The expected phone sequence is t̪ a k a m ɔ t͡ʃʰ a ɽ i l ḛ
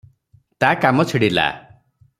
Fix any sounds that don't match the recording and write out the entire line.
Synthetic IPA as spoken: t̪ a k a m ɔ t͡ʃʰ i ɽ i l a̰